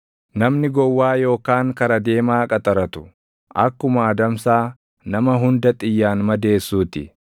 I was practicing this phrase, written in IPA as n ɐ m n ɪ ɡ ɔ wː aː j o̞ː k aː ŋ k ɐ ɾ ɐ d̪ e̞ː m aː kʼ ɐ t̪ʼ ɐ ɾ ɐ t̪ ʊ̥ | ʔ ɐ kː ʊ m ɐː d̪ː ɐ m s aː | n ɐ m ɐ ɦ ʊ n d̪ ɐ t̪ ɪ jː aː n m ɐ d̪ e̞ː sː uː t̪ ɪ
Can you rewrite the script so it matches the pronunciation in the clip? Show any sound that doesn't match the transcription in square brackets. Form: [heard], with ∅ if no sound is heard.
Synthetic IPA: n ɐ m n ɪ ɡ ɔ wː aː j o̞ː k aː ŋ k ɐ ɾ ɐ d̪ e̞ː m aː kʼ ɐ t̪ʼ ɐ ɾ ɐ t̪ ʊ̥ | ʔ ɐ kː ʊ m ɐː [d̪] ɐ m s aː | n ɐ m ɐ ɦ ʊ n d̪ ɐ [t̪ʼ] ɪ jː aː n m ɐ d̪ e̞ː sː uː t̪ ɪ